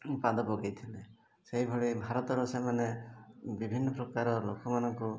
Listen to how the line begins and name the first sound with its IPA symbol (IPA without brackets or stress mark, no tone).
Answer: p